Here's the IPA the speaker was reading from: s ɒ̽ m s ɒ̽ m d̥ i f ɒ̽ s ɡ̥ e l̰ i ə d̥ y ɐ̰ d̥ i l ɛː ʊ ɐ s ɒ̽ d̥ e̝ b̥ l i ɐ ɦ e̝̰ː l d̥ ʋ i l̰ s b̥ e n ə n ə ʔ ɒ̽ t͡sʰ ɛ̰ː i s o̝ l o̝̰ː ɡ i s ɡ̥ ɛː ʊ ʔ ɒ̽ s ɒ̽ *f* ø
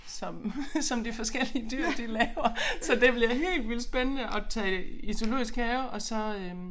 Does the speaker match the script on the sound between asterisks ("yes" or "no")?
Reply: no